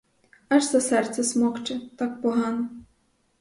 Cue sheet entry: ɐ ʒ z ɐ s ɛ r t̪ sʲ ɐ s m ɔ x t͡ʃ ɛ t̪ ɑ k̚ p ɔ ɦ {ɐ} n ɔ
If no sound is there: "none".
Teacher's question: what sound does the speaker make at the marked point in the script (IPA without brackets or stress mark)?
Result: ɑ